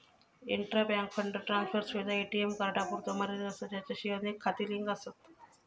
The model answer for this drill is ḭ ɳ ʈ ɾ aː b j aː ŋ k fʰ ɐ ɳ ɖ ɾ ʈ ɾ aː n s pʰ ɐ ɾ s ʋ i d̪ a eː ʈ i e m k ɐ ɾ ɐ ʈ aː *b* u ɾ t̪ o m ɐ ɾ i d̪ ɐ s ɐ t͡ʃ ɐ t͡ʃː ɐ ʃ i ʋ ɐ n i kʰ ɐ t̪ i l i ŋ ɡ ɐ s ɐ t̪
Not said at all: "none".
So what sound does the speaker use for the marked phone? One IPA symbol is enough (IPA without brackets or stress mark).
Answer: p